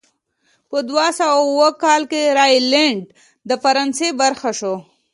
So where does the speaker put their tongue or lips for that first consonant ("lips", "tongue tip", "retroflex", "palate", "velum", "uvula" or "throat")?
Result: lips